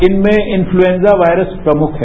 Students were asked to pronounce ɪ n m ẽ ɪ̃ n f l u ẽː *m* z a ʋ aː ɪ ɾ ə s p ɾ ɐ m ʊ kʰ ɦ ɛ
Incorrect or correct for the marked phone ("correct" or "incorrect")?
incorrect